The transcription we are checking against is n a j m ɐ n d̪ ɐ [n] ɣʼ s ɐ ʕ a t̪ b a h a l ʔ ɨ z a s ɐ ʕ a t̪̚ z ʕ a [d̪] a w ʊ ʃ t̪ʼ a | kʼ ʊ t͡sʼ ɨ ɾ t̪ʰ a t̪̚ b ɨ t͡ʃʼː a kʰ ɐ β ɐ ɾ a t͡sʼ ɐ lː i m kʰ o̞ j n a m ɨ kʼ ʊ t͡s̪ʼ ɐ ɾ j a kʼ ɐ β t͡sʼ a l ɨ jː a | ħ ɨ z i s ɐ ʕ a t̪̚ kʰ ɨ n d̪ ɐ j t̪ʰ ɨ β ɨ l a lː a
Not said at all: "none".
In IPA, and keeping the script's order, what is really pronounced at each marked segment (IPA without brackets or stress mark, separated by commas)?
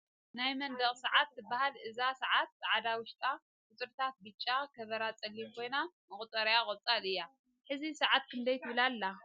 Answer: none, d̪